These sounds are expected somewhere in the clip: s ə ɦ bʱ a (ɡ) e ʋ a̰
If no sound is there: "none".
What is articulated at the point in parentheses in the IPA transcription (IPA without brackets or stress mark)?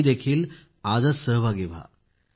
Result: ɡ